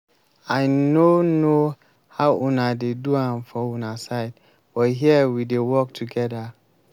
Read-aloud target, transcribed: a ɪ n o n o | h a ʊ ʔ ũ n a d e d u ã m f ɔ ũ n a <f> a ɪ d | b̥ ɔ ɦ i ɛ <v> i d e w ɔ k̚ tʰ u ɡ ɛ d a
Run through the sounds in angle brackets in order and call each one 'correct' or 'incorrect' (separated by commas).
incorrect, incorrect